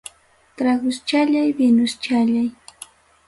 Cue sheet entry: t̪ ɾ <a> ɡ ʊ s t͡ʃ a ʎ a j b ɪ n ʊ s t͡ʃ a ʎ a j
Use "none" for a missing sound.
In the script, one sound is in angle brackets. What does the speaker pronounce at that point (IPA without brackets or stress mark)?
a